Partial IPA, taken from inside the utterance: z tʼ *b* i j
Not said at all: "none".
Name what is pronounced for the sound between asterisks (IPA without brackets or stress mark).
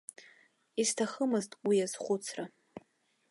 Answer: w